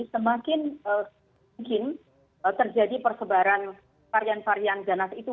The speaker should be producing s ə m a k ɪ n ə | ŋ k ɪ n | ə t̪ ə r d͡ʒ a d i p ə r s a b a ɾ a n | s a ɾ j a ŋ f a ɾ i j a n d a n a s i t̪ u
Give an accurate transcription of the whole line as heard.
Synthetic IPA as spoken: s ə m a k ɪ n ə | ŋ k ɪ n | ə t̪ ə r d͡ʒ a d i p ə r s ə b a ɾ a n | f a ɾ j a n f a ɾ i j a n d a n a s i t̪ u